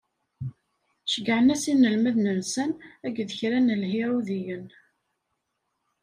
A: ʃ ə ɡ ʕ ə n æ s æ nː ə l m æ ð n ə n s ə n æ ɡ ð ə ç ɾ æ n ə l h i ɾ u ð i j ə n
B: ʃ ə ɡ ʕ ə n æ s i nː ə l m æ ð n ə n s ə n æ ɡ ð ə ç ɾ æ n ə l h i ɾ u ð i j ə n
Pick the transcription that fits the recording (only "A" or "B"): B